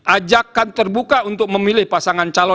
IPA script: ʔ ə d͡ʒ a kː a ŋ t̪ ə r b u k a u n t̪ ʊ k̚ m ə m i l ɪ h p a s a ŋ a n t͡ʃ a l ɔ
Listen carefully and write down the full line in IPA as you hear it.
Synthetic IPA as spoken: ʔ a d͡ʒ a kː a n t̪ ə r b u k a u n t̪ ʊ k̚ m ə m i l ɪ h p a s a ŋ a n t͡ʃ a l ɔ